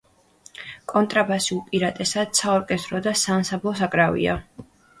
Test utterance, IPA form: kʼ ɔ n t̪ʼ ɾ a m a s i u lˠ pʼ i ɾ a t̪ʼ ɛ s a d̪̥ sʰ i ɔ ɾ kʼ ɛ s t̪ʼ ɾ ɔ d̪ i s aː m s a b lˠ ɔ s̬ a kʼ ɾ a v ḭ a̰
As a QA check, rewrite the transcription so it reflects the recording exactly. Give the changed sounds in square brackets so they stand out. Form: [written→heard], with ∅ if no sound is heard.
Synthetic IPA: kʼ ɔ n t̪ʼ ɾ a [m→b] a s i u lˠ pʼ i ɾ a t̪ʼ ɛ s a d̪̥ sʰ [i→a] ɔ ɾ kʼ ɛ s t̪ʼ ɾ ɔ d̪ [i→a] s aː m s a b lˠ ɔ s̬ a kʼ ɾ a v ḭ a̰